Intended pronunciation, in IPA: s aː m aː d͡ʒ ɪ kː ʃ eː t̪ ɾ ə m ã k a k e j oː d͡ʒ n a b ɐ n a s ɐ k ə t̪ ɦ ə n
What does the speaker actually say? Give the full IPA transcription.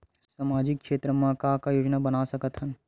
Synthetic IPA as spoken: s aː m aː d͡ʒ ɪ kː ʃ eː t̪ ɾ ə m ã k a k a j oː d͡ʒ n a b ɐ n a s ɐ k ə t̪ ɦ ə n